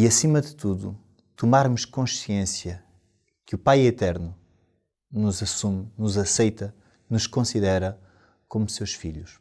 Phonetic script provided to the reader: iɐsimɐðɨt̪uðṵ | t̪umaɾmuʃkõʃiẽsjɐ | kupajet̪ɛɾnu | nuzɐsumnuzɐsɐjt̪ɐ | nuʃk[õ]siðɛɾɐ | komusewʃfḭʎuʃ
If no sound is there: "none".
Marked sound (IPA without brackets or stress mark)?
õ